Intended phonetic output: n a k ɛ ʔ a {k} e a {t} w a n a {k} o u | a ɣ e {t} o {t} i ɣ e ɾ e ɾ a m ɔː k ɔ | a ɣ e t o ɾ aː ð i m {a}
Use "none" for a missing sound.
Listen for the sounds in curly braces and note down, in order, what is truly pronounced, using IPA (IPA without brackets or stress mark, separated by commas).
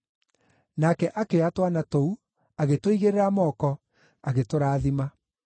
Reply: k, t, t, t, none, a